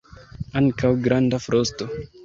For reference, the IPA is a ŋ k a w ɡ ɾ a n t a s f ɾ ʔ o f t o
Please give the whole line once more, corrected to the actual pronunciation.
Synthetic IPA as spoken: a ŋ k a w ɡ ɾ a n d a f ɾ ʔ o s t o